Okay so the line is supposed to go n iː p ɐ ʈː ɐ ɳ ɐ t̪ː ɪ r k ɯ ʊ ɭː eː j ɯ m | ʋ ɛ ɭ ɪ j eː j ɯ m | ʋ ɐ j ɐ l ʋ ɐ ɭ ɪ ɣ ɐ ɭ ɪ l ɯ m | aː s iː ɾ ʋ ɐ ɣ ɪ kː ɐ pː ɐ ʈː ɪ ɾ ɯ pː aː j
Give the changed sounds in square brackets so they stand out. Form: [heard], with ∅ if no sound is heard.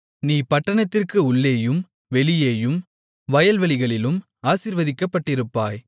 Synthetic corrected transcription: n iː p ɐ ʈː ɐ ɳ ɐ t̪ː ɪ r k ɯ ʊ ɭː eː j ɯ m | ʋ ɛ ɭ ɪ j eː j ɯ m | ʋ ɐ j ɐ l ʋ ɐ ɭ ɪ ɣ ɐ ɭ ɪ l ɯ m | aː s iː ɾ ʋ ɐ [ð] ɪ kː ɐ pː ɐ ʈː ɪ ɾ ɯ pː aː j